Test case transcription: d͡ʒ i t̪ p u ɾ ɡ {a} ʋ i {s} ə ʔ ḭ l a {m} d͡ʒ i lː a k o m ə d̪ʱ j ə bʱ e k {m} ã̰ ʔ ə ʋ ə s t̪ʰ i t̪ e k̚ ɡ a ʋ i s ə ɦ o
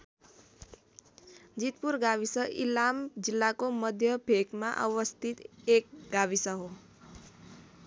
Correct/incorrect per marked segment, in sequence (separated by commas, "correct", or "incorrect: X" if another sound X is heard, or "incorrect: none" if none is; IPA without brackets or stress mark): correct, correct, correct, correct